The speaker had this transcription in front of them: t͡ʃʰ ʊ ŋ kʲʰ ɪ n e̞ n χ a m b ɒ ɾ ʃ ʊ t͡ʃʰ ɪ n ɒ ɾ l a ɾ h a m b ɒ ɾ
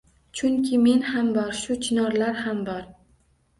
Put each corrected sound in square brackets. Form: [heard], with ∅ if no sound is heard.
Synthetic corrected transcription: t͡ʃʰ ʊ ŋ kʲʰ ɪ [m] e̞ n [h] a m b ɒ ɾ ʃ ʊ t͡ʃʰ ɪ n ɒ ɾ l a ɾ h a m b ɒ ɾ